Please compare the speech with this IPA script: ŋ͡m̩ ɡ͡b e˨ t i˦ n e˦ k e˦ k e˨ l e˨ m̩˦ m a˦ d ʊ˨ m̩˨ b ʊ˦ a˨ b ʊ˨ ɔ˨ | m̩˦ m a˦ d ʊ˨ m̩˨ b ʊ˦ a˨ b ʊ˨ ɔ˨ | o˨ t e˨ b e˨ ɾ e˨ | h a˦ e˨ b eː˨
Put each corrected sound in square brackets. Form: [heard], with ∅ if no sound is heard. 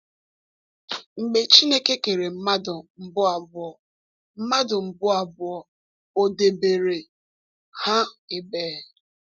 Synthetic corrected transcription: ŋ͡m̩ ɡ͡b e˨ [t͡ʃ] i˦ n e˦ k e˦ k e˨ [ɾ] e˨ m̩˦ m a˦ d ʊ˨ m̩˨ b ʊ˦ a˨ b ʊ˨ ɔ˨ | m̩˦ m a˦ d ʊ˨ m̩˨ b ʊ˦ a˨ b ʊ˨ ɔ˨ | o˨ [d] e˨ b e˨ ɾ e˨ | h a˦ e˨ b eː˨